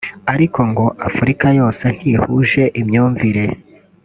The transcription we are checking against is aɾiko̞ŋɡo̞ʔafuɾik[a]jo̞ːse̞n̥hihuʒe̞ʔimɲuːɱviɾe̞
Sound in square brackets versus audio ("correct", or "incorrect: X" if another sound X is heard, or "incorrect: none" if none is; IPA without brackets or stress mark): correct